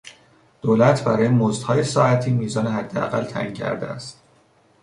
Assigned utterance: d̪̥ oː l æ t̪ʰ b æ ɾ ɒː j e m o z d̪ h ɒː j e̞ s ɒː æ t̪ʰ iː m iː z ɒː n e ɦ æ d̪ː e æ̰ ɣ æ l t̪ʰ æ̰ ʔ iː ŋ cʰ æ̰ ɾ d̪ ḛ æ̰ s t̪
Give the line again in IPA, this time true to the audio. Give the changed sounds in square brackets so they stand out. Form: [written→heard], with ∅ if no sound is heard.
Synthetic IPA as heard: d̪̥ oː l æ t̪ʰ b æ ɾ ɒː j e m o z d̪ h ɒː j e̞ s ɒː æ t̪ʰ iː m iː z ɒː n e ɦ æ d̪ː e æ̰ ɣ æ l t̪ʰ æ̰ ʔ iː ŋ cʰ æ̰ ɾ d̪ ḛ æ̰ s t̪

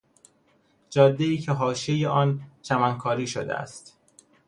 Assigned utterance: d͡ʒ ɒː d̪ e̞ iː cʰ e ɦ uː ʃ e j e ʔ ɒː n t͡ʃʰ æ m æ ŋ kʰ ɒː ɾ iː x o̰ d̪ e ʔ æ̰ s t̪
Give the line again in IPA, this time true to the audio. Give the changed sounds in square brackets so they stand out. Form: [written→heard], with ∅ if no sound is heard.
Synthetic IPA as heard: d͡ʒ ɒː [d̪→d̪ː] e̞ iː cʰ e ɦ [uː→ɒː] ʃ e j e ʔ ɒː n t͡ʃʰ æ m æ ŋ kʰ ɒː ɾ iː [x→ʃ] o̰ d̪ e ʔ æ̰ s t̪

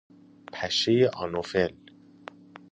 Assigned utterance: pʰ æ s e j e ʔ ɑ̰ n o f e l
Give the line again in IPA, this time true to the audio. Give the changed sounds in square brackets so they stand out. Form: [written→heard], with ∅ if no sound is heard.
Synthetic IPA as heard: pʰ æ [s→ʃ] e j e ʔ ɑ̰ n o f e l

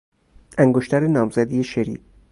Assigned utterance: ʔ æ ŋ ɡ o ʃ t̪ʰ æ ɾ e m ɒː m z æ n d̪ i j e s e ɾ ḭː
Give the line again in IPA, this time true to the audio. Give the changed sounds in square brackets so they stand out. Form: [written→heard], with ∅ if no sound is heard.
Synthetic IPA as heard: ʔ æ ŋ ɡ o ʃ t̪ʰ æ ɾ e [m→n] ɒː m z æ [n→∅] d̪ i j e [s→ʃ] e ɾ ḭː

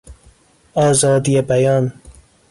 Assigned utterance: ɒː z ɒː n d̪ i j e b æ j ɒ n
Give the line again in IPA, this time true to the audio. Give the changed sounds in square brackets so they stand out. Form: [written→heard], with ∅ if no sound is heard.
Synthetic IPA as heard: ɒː z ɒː [n→∅] d̪ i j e b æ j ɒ n

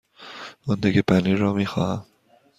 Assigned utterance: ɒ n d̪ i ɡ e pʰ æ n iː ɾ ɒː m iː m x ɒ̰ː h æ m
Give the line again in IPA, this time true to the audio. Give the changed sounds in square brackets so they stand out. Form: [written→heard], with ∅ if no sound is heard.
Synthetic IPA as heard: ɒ n d̪ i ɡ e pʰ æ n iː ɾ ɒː m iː [m→∅] x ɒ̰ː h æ m

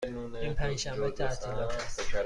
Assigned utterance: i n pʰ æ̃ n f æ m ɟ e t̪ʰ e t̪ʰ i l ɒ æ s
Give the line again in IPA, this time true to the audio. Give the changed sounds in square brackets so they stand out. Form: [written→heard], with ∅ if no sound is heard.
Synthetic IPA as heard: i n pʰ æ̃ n [f→ʃ] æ m [ɟ→b] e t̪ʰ [e→æ] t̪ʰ i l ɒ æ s

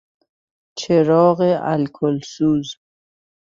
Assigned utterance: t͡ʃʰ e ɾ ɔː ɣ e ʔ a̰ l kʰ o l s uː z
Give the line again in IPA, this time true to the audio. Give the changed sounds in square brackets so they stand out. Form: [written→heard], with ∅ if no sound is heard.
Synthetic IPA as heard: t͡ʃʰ e ɾ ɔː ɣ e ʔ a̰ l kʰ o l s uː z

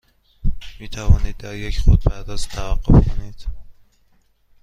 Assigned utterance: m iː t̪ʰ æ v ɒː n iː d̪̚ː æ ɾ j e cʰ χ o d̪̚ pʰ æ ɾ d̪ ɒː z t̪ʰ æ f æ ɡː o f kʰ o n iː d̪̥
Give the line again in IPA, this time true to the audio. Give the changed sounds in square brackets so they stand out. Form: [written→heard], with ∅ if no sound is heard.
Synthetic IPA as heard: m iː t̪ʰ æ v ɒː n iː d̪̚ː æ ɾ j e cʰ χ o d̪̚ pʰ æ ɾ d̪ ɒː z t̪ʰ æ [f→v] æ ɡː o f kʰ o n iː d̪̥

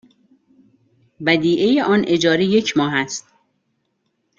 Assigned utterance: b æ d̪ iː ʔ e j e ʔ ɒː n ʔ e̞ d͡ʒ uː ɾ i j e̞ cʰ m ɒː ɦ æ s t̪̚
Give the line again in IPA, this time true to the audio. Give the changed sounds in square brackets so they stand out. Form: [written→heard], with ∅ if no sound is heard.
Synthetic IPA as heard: b æ d̪ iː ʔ e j e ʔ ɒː n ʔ e̞ d͡ʒ [uː→ɒː] ɾ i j e̞ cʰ m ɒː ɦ æ s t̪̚

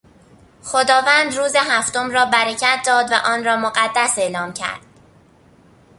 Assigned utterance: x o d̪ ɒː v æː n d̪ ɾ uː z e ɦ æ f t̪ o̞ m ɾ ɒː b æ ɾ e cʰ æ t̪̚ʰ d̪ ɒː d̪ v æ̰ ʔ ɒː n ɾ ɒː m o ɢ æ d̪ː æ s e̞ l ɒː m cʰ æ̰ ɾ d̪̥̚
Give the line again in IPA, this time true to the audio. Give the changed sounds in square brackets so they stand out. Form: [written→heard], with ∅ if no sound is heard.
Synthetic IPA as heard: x o d̪ ɒː v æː n d̪ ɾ uː z e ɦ æ f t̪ o̞ m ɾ ɒː b æ ɾ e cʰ æ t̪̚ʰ d̪ ɒː d̪ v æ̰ ʔ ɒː n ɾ ɒː m o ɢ æ d̪ː æ s e̞ l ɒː m cʰ æ̰ ɾ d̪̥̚

